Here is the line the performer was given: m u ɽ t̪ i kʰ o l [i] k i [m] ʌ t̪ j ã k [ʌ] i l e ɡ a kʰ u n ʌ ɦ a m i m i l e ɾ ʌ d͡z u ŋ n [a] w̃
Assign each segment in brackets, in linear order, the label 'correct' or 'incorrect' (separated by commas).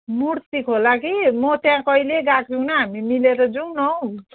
incorrect, correct, correct, incorrect